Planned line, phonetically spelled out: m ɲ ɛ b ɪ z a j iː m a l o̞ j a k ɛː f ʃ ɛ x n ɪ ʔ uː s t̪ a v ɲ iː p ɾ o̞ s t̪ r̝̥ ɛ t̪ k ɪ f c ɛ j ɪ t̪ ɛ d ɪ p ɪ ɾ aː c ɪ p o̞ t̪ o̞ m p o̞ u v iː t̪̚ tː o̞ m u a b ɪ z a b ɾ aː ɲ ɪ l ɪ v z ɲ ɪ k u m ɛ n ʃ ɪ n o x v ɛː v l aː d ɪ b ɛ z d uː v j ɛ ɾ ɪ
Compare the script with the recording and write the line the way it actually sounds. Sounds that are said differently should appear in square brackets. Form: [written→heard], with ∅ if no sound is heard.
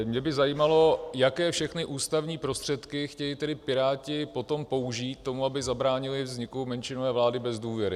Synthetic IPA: m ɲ ɛ b ɪ z a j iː m a l o̞ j a k ɛː f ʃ ɛ x n ɪ ʔ uː s t̪ a v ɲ iː p ɾ o̞ s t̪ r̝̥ ɛ t̪ k ɪ [f→x] c ɛ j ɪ t̪ ɛ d ɪ p ɪ ɾ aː c ɪ p o̞ t̪ o̞ m p o̞ u [v→ʒ] iː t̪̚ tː o̞ m u a b ɪ z a b ɾ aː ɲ ɪ l ɪ v z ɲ ɪ k u m ɛ n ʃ ɪ n o [x→∅] v ɛː v l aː d ɪ b ɛ z d uː v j ɛ ɾ ɪ

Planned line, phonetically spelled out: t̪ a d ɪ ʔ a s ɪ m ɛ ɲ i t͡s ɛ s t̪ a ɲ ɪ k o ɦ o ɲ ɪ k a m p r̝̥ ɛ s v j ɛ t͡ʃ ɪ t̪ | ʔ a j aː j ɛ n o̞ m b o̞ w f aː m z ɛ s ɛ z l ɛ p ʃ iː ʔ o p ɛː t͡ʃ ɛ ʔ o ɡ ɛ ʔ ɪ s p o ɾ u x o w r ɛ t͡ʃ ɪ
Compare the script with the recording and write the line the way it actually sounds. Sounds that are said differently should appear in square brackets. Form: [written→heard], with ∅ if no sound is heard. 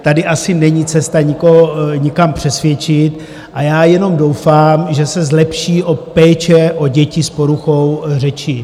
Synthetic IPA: t̪ a d ɪ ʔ a s ɪ [m→n] ɛ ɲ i t͡s ɛ s t̪ a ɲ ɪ k o ɦ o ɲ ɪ k a m p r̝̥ ɛ s v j ɛ t͡ʃ ɪ t̪ | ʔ a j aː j ɛ n o̞ m [b→d] o̞ w f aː m [z→ʒ] ɛ s ɛ z l ɛ p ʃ iː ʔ o p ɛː t͡ʃ ɛ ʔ o [ɡ→ɟ] ɛ [ʔ→c] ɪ s p o ɾ u x o w r ɛ t͡ʃ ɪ

